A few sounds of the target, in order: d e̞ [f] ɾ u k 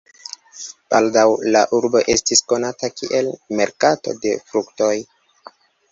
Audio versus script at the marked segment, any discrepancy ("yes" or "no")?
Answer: no